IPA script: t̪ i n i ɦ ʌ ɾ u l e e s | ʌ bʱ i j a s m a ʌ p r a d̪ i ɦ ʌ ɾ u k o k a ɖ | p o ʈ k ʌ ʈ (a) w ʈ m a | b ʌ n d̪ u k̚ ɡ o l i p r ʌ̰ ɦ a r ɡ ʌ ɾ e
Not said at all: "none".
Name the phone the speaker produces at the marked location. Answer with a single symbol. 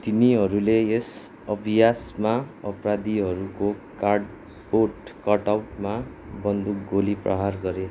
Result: a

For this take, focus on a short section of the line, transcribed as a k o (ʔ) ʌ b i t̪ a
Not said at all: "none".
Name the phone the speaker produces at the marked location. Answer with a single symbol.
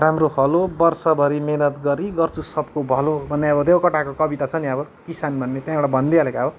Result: k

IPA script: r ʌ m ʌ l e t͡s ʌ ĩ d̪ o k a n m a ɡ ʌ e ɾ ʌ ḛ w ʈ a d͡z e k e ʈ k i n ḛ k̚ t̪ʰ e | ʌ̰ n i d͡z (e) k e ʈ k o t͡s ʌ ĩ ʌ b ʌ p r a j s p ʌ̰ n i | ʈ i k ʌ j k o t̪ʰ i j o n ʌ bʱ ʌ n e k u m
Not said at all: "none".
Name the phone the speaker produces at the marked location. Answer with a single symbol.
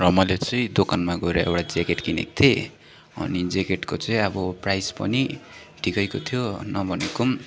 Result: e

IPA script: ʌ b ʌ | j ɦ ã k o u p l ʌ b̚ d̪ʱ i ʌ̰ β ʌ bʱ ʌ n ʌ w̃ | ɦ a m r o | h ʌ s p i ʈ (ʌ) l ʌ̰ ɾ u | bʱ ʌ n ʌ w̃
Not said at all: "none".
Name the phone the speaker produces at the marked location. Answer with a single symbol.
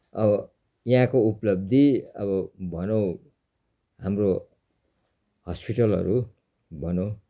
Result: ʌ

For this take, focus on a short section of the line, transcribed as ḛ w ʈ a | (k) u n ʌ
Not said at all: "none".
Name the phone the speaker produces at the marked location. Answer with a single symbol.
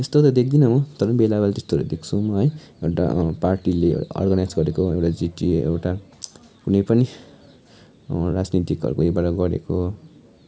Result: k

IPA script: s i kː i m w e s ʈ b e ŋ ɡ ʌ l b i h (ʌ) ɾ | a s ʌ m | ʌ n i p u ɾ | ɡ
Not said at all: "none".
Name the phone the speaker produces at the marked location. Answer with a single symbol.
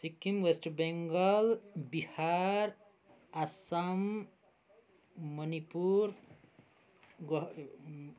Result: a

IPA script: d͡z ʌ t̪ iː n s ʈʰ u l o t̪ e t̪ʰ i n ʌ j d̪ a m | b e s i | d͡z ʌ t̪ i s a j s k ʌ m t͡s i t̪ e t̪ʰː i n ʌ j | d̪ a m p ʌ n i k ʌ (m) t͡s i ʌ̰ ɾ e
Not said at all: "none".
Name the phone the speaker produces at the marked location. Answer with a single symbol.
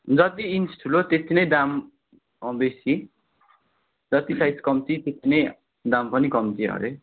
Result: m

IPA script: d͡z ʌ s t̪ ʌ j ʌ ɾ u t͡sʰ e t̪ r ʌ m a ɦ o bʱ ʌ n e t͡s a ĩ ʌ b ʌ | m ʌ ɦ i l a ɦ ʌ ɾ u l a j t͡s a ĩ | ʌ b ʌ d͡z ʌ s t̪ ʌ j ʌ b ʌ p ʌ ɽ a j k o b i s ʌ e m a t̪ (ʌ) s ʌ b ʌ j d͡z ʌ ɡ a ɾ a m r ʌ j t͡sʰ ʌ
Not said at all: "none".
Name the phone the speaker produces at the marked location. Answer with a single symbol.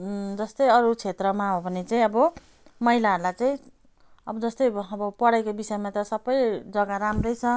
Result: ʌ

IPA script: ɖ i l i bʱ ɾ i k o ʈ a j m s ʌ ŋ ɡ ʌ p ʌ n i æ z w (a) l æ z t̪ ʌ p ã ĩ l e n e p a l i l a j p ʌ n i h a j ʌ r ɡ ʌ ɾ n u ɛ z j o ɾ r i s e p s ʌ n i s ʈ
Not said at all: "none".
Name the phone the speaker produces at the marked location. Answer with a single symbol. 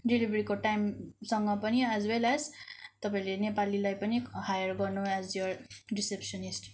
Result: e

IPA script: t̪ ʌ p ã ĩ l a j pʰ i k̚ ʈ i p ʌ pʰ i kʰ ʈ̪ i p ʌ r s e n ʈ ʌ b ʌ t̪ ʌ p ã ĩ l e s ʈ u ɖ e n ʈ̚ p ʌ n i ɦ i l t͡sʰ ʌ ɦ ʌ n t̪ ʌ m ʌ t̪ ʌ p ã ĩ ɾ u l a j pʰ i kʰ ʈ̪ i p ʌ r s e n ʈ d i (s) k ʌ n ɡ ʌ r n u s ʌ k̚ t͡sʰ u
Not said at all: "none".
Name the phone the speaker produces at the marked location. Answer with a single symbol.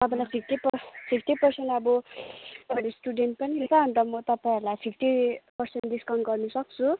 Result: s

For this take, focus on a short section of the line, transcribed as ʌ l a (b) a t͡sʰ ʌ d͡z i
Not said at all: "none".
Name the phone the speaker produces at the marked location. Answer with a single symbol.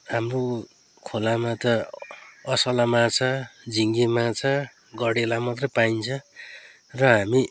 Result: m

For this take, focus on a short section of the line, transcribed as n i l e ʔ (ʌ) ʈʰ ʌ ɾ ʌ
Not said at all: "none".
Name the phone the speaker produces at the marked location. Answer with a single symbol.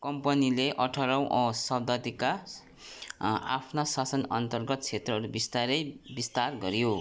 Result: ʌ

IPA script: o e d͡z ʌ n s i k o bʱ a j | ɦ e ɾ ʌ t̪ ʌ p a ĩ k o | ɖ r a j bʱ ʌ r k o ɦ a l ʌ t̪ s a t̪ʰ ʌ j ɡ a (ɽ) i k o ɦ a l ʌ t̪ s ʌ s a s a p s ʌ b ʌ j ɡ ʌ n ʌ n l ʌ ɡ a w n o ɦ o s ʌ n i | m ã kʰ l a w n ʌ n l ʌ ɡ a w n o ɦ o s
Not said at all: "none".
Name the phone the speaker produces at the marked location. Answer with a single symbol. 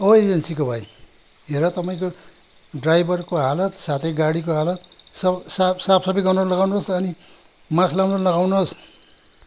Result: ɽ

